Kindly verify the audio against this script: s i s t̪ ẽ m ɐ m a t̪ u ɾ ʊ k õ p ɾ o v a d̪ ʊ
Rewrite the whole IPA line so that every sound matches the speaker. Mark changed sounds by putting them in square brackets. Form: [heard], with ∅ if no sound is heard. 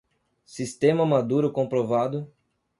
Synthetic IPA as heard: s i s t̪ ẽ m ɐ m a [d̪] u ɾ ʊ k õ p ɾ o v a d̪ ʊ

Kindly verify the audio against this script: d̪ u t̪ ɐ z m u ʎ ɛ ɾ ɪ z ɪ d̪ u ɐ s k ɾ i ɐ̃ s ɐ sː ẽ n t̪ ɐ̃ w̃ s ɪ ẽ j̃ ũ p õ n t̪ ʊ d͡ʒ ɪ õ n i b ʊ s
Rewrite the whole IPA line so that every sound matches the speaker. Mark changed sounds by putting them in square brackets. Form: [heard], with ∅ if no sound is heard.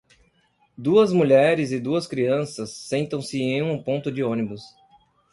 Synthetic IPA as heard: d̪ u [∅] ɐ z m u ʎ ɛ ɾ ɪ z ɪ d̪ u ɐ s k ɾ i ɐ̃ s ɐ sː ẽ n t̪ ɐ̃ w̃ s ɪ ẽ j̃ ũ p õ n t̪ ʊ d͡ʒ ɪ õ n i b ʊ s

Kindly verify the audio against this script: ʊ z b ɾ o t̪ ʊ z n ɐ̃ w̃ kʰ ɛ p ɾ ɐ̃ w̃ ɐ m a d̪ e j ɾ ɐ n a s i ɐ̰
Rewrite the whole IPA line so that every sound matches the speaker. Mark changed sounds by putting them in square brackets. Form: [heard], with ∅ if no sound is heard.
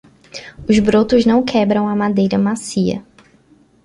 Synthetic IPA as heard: ʊ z b ɾ o t̪ ʊ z n ɐ̃ w̃ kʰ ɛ [b] ɾ ɐ̃ w̃ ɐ m a d̪ e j ɾ ɐ [m] a s i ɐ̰

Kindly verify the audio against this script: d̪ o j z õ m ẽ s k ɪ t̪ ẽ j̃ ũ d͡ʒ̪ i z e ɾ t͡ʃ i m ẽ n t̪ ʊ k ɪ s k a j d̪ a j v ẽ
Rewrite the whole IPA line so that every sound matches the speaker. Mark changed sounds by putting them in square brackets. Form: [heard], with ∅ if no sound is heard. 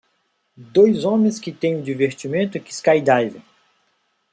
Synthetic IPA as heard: d̪ o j z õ m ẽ s k ɪ t̪ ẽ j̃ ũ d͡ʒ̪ i [v] e ɾ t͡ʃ i m ẽ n t̪ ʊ k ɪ s k a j d̪ a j v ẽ

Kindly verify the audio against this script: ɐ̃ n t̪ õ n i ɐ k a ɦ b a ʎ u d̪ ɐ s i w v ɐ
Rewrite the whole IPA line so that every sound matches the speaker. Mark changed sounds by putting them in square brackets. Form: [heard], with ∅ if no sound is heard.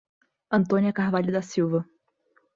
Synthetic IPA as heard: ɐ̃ n t̪ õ n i ɐ k a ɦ [v] a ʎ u d̪ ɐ s i w v ɐ

